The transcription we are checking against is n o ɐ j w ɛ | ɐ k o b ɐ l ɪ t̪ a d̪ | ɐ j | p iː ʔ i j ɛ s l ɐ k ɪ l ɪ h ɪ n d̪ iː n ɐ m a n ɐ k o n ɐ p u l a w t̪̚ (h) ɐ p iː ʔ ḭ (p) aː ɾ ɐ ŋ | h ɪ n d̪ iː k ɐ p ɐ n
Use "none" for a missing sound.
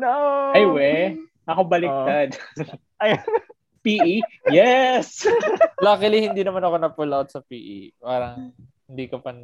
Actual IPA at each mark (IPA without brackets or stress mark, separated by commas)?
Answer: s, p